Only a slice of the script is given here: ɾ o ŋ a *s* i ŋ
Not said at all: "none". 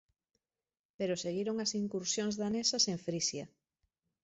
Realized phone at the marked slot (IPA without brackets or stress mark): s